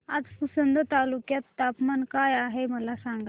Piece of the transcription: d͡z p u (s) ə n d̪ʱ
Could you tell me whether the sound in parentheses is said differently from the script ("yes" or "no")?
no